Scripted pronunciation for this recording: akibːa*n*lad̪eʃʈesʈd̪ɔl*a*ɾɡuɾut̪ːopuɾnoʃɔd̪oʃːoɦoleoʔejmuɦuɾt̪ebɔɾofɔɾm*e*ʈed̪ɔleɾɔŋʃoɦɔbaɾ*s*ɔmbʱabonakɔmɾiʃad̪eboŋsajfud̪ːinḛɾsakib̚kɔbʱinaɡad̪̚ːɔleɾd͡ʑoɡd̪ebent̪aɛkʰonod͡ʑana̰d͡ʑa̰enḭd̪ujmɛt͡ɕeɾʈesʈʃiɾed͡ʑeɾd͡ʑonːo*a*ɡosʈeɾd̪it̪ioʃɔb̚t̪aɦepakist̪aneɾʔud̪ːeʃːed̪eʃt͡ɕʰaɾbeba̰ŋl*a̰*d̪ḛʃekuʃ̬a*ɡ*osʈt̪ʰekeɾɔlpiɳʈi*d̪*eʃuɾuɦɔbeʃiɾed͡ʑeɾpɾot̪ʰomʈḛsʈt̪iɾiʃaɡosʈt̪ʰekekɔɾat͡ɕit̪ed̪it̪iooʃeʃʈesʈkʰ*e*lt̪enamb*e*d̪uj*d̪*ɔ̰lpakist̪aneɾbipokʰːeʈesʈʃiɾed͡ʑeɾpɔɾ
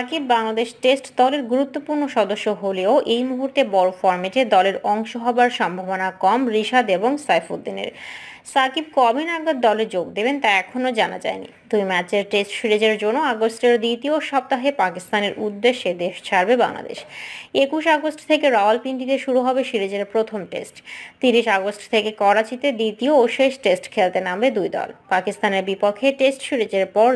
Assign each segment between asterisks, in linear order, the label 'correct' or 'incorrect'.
incorrect, incorrect, correct, incorrect, correct, correct, correct, incorrect, correct, correct, correct

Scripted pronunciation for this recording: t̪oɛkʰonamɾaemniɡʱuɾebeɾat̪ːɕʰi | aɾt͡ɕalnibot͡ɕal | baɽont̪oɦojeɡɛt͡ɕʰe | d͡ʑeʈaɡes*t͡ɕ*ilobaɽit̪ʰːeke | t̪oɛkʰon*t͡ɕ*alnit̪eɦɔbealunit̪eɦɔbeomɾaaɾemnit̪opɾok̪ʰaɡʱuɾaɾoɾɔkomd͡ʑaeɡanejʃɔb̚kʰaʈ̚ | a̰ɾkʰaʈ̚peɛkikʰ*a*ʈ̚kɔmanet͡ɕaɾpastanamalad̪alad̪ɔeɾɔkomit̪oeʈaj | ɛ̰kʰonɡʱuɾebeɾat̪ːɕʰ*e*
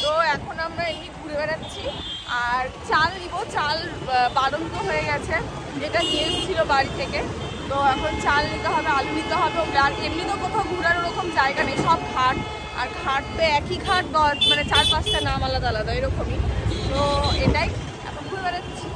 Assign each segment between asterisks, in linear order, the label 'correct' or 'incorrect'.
incorrect, correct, correct, incorrect

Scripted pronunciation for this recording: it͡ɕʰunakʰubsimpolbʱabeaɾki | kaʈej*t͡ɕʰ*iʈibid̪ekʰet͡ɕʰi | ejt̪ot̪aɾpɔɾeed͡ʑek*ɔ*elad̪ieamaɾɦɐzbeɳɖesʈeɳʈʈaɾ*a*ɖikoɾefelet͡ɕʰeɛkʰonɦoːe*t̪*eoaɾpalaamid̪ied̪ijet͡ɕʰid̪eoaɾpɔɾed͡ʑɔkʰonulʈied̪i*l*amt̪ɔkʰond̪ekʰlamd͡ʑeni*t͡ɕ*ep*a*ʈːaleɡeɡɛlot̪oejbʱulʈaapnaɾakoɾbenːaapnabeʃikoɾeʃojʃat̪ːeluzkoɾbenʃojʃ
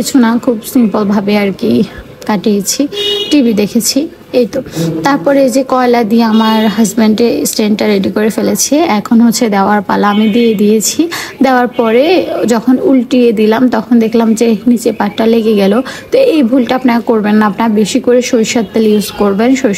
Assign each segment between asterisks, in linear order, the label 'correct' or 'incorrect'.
correct, correct, incorrect, incorrect, correct, correct, correct

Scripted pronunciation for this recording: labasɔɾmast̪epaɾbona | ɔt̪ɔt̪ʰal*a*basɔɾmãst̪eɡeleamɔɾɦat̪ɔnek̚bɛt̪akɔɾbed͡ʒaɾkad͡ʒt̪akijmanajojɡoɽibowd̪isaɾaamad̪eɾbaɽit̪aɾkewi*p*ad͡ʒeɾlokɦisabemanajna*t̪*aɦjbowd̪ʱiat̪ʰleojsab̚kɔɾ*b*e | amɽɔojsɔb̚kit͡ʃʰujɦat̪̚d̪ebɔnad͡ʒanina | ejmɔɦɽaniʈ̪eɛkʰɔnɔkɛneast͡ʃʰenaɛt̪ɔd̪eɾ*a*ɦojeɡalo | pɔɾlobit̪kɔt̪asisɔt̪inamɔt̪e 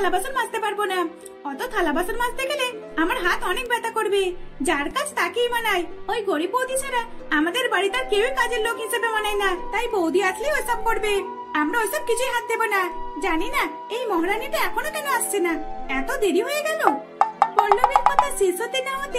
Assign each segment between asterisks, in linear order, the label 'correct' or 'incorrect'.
correct, incorrect, correct, correct, incorrect

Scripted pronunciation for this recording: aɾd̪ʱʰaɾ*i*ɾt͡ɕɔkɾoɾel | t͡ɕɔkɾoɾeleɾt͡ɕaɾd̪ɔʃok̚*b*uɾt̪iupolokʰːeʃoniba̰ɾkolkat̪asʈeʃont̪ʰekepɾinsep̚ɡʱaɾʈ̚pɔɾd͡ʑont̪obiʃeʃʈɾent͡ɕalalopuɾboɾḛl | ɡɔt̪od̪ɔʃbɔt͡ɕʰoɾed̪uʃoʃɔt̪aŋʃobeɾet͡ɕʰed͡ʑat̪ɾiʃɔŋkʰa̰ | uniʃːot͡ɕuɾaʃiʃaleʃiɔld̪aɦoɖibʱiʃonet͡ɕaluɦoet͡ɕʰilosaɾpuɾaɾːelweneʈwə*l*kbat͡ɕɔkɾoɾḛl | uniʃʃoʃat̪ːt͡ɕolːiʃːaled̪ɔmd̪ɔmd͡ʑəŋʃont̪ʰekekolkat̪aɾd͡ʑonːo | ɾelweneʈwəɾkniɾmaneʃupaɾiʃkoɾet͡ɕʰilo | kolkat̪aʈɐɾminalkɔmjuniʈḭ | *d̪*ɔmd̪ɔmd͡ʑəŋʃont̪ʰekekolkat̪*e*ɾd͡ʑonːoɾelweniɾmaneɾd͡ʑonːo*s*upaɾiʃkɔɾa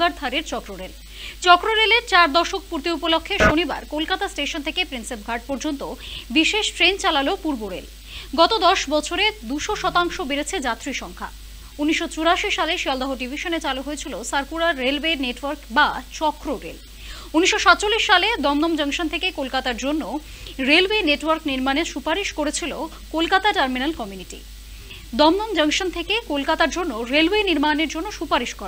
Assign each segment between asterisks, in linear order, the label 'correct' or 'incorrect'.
incorrect, incorrect, incorrect, correct, incorrect, incorrect

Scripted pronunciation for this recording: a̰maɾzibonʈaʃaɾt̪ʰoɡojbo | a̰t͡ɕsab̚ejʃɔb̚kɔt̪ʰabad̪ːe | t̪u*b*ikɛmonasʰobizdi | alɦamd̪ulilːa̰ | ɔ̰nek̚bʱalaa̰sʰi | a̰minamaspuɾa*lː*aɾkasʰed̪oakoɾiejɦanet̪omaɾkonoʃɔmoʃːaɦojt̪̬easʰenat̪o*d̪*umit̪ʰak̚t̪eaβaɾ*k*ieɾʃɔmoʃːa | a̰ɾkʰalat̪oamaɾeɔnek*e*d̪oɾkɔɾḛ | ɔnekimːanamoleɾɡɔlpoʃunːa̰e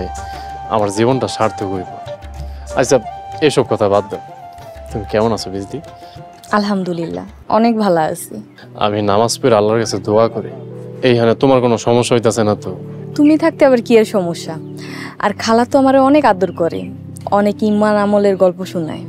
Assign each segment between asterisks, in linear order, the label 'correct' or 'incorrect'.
incorrect, correct, incorrect, correct, incorrect

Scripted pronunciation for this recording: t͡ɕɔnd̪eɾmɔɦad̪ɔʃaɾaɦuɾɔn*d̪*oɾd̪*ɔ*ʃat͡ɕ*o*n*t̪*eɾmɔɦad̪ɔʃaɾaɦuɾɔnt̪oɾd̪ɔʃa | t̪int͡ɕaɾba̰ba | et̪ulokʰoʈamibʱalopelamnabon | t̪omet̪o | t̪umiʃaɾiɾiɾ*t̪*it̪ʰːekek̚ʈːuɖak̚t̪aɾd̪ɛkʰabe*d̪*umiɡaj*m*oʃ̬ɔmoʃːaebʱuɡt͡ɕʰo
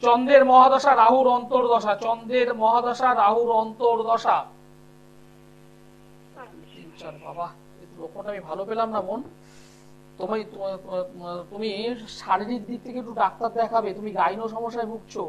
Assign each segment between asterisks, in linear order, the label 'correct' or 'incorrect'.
incorrect, correct, incorrect, incorrect, incorrect, incorrect, incorrect

